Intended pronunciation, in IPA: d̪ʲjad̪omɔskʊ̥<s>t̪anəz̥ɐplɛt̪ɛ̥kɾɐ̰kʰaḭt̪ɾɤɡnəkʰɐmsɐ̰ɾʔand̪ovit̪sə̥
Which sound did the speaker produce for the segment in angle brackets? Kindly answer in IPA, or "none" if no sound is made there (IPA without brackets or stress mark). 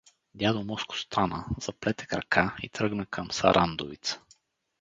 s